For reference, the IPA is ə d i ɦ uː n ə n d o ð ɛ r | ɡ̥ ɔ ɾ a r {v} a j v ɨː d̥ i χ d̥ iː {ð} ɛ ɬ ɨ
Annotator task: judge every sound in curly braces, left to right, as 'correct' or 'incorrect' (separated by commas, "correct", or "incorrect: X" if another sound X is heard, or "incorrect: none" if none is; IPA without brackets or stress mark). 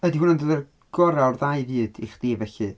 incorrect: ð, incorrect: v